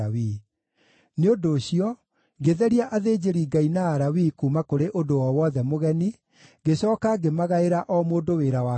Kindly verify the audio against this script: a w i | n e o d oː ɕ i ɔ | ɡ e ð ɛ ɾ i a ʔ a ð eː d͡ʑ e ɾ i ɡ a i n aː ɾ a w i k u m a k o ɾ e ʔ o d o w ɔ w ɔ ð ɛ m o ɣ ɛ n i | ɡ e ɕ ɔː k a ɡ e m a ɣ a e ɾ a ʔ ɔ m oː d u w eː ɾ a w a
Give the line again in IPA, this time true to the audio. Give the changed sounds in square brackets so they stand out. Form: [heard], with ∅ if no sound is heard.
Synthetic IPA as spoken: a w i | n e o d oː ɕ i ɔ | ɡ e ð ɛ ɾ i a ʔ a ð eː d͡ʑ e ɾ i ɡ a i n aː ɾ a w i k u m a k o ɾ e ʔ o d o w ɔ w ɔ ð ɛ m o ɣ ɛ n i | ɡ e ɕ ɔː k a ɡ e m a ɣ a e ɾ a ʔ ɔ m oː d [o] w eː ɾ a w a